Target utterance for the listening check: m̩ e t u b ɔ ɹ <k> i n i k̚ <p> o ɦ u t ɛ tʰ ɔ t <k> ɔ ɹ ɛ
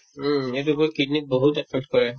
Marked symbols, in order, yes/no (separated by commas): yes, no, yes